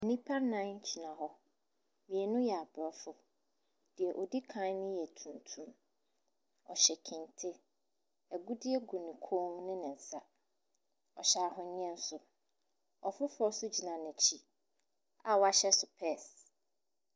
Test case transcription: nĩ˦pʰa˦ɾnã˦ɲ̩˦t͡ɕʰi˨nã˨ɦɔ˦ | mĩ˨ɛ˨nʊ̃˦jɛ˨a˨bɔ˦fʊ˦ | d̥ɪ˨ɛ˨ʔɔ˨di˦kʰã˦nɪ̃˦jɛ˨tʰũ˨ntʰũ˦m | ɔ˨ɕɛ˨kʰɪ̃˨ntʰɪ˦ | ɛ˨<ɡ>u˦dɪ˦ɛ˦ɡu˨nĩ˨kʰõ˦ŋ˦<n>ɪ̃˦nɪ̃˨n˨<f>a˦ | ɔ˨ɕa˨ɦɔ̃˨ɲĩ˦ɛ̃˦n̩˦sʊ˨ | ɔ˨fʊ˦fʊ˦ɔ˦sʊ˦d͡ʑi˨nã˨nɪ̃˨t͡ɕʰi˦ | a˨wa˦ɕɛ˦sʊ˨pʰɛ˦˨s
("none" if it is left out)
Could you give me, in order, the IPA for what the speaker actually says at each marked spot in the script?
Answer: ɡ, n, s

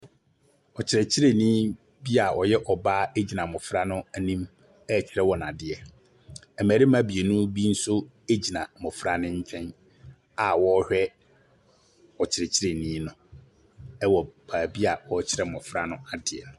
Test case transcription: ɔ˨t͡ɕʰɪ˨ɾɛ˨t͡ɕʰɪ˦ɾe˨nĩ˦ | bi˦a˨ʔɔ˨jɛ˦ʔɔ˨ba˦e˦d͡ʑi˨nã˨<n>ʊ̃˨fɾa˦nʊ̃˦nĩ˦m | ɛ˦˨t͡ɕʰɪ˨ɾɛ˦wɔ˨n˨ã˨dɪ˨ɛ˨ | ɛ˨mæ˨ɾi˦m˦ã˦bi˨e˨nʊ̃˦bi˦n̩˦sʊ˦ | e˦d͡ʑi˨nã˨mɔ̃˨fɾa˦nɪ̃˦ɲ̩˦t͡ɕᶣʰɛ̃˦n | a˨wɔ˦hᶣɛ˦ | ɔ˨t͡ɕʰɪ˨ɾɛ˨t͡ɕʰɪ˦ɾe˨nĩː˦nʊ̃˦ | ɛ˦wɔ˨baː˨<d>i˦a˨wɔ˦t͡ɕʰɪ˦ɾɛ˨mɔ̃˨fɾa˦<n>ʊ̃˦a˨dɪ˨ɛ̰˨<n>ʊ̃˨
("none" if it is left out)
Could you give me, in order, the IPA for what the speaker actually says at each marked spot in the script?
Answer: m, b, n, n

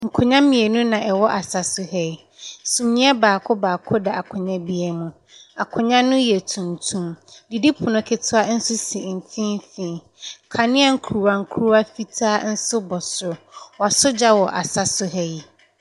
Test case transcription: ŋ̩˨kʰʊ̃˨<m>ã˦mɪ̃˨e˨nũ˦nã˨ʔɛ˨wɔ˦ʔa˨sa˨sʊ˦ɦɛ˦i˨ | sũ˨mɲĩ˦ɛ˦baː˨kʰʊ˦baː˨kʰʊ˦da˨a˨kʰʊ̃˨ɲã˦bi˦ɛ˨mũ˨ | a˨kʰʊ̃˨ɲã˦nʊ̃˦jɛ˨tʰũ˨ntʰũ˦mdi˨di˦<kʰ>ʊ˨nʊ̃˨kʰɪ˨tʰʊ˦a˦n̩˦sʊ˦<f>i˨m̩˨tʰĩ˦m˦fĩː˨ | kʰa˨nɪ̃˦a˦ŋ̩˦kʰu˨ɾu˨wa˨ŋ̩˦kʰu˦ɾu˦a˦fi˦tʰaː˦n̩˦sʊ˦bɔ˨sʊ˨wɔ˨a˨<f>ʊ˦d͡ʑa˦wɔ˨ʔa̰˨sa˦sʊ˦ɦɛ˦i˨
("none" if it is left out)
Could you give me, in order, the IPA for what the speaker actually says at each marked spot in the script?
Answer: ɲ, pʰ, s, s

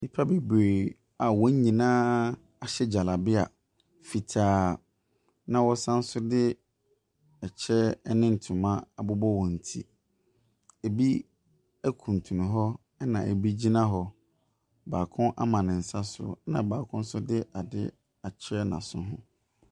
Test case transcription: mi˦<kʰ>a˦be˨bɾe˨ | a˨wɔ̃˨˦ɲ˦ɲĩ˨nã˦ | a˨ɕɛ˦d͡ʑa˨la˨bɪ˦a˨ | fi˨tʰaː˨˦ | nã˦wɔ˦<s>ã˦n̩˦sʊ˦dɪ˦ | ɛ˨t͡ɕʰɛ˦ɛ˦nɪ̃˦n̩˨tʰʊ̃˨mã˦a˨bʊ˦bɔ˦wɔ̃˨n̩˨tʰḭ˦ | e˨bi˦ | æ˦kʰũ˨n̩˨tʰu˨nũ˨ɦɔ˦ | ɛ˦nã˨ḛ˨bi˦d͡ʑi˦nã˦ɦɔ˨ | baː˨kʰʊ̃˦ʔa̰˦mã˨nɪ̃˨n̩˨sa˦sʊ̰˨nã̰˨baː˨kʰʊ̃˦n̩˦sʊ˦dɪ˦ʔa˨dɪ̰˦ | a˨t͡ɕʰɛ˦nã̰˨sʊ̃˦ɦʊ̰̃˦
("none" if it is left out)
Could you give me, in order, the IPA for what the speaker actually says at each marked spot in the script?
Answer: pʰ, s

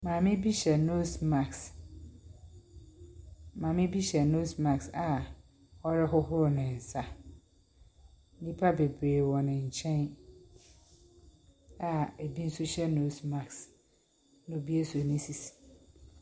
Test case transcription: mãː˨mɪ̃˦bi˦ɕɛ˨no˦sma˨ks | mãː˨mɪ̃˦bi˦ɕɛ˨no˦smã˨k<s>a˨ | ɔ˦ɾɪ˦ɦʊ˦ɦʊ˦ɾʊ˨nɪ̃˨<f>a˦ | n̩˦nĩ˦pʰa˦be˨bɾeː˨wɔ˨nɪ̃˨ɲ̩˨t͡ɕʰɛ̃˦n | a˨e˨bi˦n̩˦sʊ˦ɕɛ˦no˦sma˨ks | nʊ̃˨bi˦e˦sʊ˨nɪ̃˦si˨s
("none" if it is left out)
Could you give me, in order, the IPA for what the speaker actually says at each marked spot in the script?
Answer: s, s

